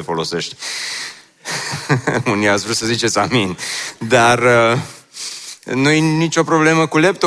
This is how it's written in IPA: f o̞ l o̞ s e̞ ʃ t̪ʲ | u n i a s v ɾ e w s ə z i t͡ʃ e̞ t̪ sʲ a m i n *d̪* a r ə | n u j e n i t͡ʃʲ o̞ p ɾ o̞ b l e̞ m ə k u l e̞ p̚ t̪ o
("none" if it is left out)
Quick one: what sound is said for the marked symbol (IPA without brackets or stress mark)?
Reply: d̪